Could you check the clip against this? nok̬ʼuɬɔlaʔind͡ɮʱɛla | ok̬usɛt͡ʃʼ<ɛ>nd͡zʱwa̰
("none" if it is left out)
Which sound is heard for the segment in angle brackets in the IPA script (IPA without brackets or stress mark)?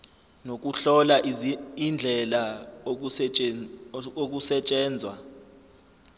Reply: ɛː